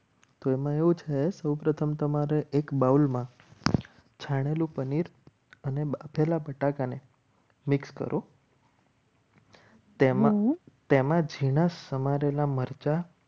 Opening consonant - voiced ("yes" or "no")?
no